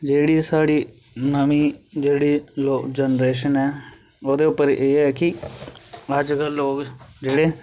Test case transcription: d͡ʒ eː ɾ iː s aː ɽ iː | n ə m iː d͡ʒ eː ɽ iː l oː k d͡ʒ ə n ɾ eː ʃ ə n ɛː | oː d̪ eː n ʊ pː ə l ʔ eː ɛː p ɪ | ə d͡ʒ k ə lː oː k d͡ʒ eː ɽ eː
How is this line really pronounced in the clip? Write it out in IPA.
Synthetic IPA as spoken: d͡ʒ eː ɽ iː s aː ɽ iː | n ə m iː d͡ʒ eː ɽ iː l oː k d͡ʒ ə n ɾ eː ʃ ə n ɛː | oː d̪ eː ʊ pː ə ɾ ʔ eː ɛː k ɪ | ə d͡ʒ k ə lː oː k d͡ʒ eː ɽ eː